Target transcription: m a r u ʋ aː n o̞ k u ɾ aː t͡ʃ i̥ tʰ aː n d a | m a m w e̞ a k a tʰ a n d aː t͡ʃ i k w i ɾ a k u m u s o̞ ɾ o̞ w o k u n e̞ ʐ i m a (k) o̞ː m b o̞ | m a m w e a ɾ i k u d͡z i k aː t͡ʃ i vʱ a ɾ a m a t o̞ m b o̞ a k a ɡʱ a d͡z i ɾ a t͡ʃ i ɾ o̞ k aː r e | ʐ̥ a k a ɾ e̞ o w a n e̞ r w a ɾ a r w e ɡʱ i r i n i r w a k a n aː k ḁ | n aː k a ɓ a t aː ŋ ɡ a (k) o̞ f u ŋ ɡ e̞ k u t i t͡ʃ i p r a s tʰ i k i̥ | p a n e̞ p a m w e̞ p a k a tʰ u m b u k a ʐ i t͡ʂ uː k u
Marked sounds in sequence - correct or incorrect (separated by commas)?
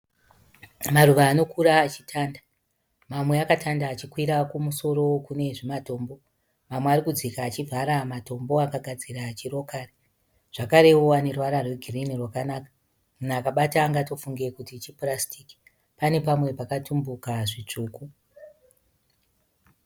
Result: incorrect, incorrect